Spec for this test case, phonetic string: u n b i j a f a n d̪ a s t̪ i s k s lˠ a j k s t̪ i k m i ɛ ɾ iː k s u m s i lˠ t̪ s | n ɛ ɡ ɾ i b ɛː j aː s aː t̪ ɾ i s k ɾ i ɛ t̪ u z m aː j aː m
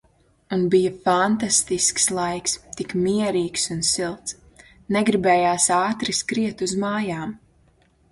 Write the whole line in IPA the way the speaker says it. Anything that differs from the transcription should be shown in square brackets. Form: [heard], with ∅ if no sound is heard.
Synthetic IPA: u n b i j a f a n [t̪] a s t̪ i s k s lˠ a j k s t̪ i k m i ɛ ɾ iː k s u [n] s i lˠ t̪ s | n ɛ ɡ ɾ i b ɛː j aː s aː t̪ ɾ i s k ɾ i ɛ t̪ u z m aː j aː m